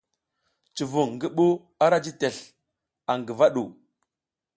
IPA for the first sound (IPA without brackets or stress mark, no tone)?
t͡ʃ